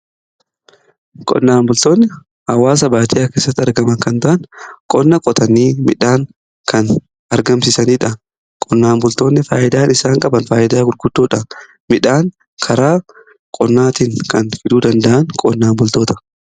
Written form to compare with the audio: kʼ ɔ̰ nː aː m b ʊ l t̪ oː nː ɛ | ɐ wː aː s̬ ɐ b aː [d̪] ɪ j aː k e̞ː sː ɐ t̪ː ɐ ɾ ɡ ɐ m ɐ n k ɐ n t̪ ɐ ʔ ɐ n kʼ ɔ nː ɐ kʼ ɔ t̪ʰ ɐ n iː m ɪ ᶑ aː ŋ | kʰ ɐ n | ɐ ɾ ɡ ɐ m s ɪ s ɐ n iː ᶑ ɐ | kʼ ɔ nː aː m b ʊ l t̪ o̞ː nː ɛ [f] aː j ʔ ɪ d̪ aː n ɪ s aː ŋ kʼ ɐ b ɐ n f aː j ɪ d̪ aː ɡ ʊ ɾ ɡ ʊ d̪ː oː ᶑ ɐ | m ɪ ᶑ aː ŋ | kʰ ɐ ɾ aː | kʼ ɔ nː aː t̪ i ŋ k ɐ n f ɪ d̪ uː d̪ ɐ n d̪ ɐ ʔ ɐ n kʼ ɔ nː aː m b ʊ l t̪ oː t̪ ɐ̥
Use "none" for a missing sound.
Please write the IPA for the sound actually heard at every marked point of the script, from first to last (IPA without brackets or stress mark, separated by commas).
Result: t̪, f